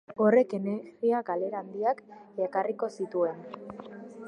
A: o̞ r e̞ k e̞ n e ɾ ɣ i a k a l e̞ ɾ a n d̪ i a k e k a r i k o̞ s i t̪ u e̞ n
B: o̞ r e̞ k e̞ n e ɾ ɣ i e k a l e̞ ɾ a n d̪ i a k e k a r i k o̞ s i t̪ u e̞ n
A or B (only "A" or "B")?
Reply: A